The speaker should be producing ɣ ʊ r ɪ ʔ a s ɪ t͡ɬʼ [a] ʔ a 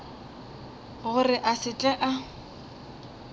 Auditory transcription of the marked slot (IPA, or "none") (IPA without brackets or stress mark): ɛ